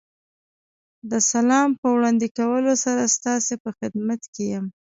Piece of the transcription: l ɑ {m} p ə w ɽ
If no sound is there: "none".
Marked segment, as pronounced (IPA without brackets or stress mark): m